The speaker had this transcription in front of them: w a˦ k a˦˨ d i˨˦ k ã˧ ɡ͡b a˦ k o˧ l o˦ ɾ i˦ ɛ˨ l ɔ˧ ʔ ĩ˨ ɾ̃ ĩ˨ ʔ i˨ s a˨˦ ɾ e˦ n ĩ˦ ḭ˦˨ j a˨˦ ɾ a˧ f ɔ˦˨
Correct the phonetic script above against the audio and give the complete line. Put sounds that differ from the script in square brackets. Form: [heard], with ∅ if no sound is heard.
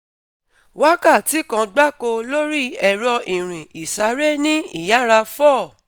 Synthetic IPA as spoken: w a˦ k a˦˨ [t] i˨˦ k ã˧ ɡ͡b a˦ k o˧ l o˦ ɾ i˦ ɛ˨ [ɾ] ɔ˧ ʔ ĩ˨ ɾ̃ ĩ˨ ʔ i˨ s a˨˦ ɾ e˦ n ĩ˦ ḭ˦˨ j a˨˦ ɾ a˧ f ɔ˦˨